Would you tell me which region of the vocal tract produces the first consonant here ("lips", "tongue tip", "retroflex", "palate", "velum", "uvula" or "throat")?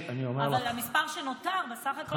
tongue tip